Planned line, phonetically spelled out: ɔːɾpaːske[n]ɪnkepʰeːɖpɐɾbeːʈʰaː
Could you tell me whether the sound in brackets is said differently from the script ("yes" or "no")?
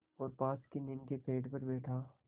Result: no